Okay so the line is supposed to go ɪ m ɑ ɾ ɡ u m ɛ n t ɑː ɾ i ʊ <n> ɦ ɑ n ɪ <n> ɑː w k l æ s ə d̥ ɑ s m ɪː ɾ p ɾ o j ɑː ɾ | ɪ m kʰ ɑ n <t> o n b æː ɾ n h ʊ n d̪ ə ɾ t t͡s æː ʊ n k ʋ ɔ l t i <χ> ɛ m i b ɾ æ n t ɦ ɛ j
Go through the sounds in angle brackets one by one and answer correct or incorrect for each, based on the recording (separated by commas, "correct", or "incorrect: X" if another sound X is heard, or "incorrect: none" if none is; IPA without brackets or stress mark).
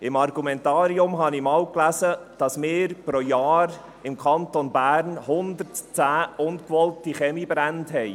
incorrect: m, incorrect: m, correct, correct